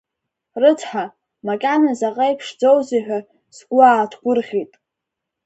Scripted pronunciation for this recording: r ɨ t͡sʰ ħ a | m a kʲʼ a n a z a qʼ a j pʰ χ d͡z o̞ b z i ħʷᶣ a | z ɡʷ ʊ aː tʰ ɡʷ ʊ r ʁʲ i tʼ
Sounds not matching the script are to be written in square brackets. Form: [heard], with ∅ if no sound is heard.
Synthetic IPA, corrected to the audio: r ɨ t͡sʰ ħ a | m a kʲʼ a n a z a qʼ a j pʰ [ʂ] d͡z o̞ [w] z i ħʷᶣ a | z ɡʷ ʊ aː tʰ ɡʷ ʊ r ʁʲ i tʼ